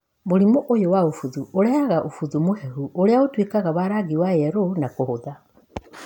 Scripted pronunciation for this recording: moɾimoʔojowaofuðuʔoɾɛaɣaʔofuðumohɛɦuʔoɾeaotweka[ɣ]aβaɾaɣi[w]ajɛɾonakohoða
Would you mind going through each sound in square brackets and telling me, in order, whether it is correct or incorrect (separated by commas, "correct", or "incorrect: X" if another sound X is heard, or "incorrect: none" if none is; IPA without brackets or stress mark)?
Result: correct, correct